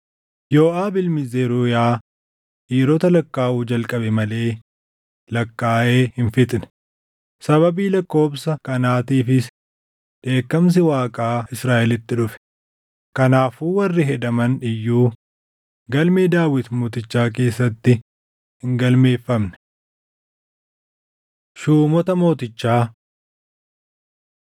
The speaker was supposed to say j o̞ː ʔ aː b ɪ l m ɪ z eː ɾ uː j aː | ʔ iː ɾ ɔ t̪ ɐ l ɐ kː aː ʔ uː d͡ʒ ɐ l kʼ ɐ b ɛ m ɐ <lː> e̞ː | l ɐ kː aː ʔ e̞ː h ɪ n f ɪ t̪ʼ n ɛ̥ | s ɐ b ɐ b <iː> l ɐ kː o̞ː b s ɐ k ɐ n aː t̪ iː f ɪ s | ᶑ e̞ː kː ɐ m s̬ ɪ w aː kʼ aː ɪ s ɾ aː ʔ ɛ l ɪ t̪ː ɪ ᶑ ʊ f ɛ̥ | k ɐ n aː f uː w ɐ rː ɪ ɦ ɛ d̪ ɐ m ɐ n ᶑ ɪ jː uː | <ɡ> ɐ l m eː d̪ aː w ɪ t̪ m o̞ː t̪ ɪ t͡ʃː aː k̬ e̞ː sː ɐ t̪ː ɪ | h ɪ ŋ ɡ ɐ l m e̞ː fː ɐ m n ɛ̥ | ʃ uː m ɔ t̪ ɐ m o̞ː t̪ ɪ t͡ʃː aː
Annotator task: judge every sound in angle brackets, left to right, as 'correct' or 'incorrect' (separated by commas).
incorrect, correct, correct